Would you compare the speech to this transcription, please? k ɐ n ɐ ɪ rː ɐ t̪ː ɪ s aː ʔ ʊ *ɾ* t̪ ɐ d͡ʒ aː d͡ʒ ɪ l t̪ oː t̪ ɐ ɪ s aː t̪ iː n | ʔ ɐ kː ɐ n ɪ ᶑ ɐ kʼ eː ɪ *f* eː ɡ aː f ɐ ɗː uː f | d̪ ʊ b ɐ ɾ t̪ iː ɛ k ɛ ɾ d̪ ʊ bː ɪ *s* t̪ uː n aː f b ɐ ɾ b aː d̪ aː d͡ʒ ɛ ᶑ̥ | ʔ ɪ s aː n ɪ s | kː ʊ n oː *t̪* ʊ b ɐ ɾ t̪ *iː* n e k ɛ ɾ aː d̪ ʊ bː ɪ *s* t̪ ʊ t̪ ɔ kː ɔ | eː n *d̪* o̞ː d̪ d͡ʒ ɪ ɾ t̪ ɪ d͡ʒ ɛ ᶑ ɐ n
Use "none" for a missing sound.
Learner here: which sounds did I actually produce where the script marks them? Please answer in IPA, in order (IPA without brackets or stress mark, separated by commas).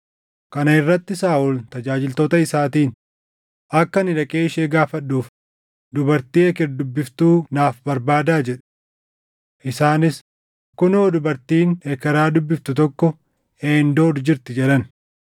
l, ʃ, f, d̪, iː, f, d̪